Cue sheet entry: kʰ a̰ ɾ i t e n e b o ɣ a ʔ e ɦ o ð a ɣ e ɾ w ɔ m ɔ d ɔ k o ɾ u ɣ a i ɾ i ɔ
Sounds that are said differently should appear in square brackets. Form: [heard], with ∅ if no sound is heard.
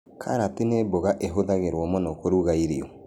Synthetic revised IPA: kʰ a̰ ɾ [a] t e n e b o ɣ a ʔ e ɦ o ð a ɣ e ɾ w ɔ m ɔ [n] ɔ k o ɾ u ɣ a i ɾ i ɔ